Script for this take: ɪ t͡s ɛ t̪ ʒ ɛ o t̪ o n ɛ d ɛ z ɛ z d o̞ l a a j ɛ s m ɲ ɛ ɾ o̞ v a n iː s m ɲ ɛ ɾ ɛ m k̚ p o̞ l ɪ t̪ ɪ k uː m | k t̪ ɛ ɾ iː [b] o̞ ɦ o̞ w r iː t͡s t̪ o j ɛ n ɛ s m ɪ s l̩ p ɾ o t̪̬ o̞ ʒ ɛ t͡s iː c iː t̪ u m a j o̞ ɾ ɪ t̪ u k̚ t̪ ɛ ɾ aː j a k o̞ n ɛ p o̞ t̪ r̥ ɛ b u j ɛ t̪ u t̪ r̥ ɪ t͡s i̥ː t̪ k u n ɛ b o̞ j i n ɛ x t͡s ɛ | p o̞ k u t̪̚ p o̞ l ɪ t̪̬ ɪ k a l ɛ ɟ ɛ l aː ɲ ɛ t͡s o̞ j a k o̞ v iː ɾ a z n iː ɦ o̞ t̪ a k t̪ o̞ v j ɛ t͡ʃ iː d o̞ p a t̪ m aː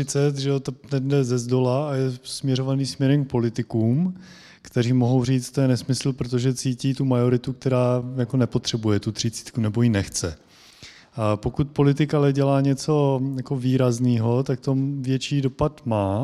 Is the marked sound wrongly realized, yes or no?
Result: yes